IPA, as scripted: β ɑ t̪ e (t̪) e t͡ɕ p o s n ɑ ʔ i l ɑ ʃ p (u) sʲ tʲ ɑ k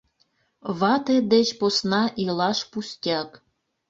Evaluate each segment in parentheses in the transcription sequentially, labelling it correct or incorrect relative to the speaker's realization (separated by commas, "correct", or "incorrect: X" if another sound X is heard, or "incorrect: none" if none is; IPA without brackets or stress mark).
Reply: incorrect: d̪, correct